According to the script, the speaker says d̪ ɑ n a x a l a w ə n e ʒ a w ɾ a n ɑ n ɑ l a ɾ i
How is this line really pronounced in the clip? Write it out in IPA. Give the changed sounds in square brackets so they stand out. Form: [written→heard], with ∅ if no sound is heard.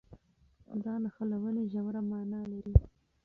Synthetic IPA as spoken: d̪ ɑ n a x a l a w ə n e ʒ a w ɾ a [n→m] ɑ n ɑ l a ɾ i